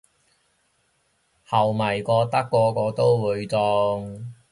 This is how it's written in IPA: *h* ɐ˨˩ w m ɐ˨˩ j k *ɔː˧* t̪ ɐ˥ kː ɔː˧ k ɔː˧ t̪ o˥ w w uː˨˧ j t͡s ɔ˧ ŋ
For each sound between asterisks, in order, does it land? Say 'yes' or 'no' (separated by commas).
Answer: yes, yes